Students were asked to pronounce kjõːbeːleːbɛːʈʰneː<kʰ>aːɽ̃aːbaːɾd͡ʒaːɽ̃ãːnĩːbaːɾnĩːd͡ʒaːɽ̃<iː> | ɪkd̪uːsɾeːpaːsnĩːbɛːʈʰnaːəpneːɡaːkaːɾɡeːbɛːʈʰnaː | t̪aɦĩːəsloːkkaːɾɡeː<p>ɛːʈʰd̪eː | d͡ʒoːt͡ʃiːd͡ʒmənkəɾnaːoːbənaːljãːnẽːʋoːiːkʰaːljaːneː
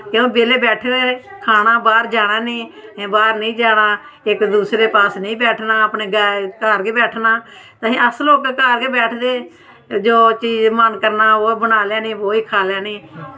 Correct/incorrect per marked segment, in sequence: correct, incorrect: aː, incorrect: b

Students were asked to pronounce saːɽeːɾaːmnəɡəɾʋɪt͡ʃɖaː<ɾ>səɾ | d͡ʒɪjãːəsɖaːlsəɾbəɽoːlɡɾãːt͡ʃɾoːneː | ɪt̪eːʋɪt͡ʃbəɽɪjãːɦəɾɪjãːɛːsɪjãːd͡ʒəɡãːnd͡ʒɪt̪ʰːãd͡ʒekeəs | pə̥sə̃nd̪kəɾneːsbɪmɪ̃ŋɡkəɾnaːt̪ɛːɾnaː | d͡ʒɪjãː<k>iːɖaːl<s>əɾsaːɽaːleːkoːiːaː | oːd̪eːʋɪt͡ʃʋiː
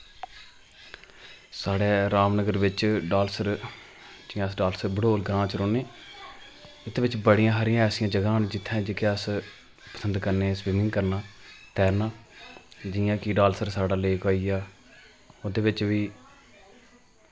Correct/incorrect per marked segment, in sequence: incorrect: l, correct, correct

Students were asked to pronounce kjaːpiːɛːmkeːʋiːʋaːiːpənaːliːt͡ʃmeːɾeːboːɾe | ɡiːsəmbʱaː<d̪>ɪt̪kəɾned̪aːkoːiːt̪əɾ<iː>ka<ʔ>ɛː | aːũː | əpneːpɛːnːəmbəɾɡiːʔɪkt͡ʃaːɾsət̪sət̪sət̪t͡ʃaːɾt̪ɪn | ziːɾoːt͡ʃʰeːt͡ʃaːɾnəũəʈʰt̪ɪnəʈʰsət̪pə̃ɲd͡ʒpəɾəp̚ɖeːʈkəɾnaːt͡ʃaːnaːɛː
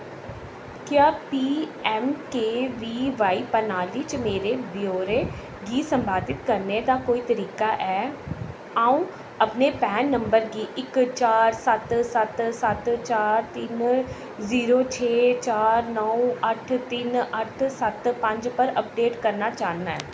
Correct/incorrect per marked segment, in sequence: correct, correct, correct

